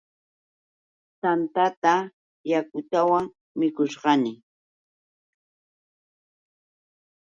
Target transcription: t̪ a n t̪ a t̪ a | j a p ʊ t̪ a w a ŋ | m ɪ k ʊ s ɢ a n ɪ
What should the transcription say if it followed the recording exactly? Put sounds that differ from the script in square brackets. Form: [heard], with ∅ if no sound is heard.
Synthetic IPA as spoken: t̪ a n t̪ a t̪ a | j a [k] ʊ t̪ a w a ŋ | m ɪ k ʊ [ʃ] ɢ [ɑ] n ɪ